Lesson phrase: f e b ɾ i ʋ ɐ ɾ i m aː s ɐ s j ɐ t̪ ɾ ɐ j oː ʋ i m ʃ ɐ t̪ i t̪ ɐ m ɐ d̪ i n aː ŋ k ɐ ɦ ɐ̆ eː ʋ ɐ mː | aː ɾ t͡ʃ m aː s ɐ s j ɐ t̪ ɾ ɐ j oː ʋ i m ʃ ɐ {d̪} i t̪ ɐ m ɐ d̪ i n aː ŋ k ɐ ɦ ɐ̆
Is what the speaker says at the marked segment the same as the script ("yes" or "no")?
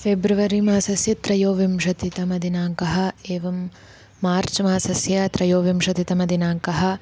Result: no